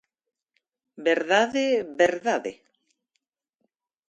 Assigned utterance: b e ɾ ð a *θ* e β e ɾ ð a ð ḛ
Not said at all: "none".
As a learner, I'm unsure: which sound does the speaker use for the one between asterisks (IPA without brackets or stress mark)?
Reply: ð